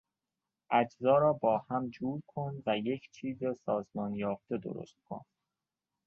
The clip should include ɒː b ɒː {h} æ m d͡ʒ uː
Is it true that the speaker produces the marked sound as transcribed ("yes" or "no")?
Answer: yes